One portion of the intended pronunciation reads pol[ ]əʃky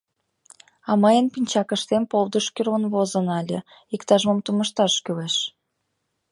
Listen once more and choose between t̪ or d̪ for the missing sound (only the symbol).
d̪